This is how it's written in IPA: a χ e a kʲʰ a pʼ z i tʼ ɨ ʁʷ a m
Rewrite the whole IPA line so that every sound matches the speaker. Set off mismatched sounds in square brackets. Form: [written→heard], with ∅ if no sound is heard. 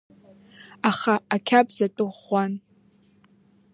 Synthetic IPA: a χ [e→a] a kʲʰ a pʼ z [i→a] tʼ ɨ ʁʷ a [m→n]